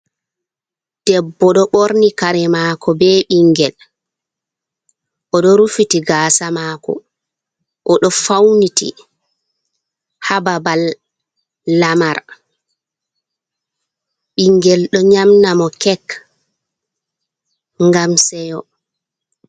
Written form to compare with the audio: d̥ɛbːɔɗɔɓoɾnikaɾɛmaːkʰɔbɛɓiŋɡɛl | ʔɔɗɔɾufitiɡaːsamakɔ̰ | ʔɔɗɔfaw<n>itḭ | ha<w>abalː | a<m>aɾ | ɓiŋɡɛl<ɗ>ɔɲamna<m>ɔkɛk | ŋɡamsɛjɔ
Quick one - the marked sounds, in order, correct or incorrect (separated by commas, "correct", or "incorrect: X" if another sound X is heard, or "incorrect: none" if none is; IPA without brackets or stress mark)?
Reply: correct, incorrect: b, correct, correct, correct